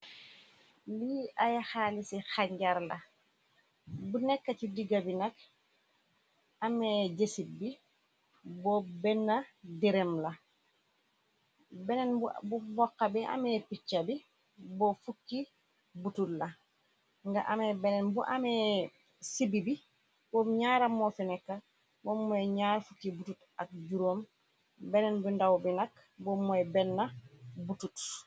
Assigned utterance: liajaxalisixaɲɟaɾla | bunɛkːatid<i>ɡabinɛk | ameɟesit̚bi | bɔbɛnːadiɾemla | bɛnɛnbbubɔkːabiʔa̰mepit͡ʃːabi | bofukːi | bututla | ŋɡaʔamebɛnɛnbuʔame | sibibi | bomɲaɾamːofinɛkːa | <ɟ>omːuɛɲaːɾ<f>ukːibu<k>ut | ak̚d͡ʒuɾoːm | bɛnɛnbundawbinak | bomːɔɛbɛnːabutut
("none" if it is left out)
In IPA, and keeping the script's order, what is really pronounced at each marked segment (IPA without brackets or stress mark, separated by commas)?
i, b, f, t